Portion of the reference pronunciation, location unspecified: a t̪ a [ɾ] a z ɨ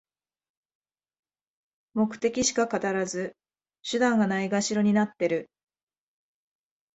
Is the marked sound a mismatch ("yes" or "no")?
no